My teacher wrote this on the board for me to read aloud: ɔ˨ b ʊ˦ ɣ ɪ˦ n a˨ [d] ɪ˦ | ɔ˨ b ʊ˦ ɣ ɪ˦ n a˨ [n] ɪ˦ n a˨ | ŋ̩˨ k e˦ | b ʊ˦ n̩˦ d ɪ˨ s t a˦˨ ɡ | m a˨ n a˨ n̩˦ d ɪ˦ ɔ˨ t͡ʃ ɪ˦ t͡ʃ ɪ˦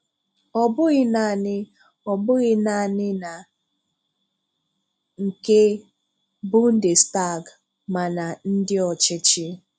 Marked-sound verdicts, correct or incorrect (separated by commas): incorrect, correct